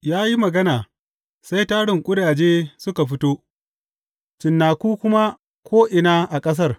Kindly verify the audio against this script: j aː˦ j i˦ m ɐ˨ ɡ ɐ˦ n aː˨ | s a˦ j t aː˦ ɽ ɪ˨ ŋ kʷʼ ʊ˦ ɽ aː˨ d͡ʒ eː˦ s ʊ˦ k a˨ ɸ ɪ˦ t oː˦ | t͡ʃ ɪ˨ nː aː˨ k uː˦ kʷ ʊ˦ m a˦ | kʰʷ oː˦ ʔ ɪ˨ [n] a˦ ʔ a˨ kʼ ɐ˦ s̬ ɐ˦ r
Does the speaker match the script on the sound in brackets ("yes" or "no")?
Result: yes